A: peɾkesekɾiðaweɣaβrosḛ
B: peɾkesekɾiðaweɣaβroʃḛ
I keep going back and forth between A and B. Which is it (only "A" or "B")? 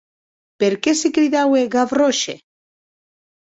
B